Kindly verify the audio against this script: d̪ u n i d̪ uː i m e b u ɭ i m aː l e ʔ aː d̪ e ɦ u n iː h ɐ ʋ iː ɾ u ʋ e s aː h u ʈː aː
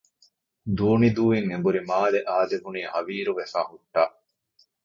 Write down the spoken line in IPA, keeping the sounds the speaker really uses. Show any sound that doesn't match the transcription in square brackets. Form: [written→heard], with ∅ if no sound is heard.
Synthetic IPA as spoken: d̪ [u→uː] n i d̪ uː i [m→ŋ] e b u [ɭ→ɾ] i m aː l e ʔ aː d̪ e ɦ u n iː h ɐ ʋ iː ɾ u ʋ e [s→f] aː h u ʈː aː

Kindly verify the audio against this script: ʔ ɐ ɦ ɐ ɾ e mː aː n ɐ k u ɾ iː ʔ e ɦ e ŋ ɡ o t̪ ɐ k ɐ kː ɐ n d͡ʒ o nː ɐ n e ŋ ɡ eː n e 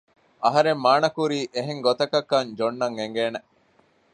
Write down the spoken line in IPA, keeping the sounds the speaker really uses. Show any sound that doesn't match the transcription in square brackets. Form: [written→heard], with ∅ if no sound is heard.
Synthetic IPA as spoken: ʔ ɐ ɦ ɐ ɾ e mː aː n ɐ k u ɾ iː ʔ e ɦ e ŋ ɡ o t̪ ɐ k ɐ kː ɐ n d͡ʒ o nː ɐ [n→ŋ] e ŋ ɡ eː n e

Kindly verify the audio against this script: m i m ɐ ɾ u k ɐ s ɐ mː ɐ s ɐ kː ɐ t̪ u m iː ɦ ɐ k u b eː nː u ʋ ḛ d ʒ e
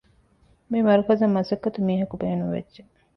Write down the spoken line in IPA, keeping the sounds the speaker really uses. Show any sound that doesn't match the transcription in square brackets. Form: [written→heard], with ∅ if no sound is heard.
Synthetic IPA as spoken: m i m ɐ ɾ u k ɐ [s→z] ɐ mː ɐ s ɐ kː ɐ t̪ u m iː ɦ ɐ k u b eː [nː→n] u ʋ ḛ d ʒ e

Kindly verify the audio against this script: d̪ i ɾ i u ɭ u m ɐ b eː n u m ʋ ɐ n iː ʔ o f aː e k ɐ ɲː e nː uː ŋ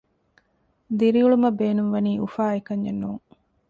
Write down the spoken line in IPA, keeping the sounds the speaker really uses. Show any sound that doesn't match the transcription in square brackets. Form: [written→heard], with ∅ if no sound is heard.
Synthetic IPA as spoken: d̪ i ɾ i u ɭ u m ɐ b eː n u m ʋ ɐ n iː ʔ [o→u] f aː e k ɐ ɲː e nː uː ŋ

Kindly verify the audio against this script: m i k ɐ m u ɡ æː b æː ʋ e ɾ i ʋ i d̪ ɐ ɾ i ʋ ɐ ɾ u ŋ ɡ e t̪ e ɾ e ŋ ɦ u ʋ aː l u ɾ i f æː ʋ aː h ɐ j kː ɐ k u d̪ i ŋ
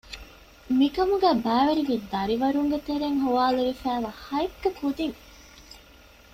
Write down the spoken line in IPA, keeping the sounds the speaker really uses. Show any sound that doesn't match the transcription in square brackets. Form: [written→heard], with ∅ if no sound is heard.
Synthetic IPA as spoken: m i k ɐ m u ɡ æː b æː ʋ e ɾ i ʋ i d̪ ɐ ɾ i ʋ ɐ ɾ u ŋ ɡ e t̪ e ɾ e ŋ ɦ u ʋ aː l u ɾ i f æː ʋ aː h ɐ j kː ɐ k u d̪ i ŋ

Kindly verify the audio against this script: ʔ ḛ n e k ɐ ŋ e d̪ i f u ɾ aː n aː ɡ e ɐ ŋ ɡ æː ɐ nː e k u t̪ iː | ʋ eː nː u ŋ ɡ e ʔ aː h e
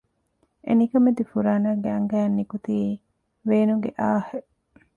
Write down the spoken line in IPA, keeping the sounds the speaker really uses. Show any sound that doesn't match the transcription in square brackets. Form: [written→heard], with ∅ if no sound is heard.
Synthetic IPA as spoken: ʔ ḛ n [e→i] k ɐ [ŋ→m] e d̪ i f u ɾ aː n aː ɡ e ɐ ŋ ɡ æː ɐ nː [e→i] k u t̪ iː | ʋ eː [nː→n] u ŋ ɡ e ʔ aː h e

